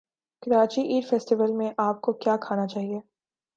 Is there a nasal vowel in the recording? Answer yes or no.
yes